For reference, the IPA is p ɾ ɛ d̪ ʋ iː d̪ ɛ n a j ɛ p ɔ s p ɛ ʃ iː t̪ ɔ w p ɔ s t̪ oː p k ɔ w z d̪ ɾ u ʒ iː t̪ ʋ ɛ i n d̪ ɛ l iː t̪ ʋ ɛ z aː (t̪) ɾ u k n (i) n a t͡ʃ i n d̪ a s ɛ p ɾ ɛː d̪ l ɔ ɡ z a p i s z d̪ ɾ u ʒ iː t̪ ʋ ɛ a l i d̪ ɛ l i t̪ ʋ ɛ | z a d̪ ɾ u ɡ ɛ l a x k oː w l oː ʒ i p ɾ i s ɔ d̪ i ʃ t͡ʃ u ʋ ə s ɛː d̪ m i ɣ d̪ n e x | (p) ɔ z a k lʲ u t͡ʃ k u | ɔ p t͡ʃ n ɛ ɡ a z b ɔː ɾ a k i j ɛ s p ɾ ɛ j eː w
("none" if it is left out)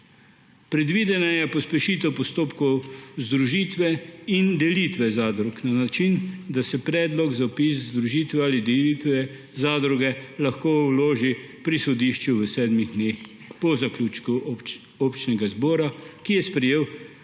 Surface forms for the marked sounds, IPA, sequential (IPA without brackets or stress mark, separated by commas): d̪, a, p